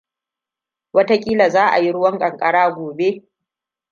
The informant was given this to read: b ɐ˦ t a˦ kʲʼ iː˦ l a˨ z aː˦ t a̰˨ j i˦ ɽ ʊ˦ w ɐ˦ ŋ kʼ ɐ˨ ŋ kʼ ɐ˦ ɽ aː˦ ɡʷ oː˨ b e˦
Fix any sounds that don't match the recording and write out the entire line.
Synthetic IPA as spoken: w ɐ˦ t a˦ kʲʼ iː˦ l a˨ z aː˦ ʔ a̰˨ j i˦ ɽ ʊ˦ w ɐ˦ ŋ kʼ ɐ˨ ŋ kʼ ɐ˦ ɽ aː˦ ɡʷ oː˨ b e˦